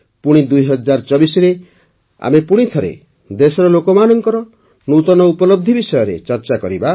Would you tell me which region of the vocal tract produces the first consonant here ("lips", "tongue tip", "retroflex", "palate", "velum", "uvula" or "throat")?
lips